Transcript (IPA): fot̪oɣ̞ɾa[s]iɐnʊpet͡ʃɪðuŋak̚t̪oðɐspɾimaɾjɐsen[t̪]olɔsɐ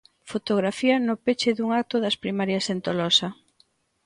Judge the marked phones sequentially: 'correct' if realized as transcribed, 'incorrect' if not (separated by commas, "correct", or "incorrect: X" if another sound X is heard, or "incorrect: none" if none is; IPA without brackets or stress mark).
incorrect: f, correct